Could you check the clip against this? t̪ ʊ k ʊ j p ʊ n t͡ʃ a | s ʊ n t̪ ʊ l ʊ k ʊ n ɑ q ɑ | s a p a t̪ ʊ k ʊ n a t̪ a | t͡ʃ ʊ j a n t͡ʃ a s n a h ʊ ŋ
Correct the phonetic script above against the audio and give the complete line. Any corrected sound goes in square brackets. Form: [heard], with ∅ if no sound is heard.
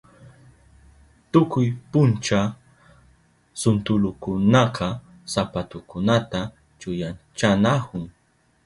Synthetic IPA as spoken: t̪ ʊ k ʊ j p ʊ n t͡ʃ a | s ʊ n t̪ ʊ l ʊ k ʊ n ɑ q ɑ | s a p a t̪ ʊ k ʊ n a t̪ a | t͡ʃ ʊ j a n t͡ʃ a [∅] n a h ʊ ŋ